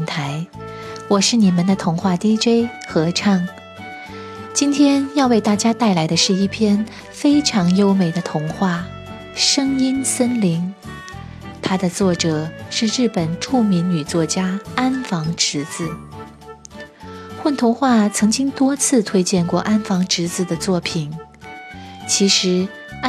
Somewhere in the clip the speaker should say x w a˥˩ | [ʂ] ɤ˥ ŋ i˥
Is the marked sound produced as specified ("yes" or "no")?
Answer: yes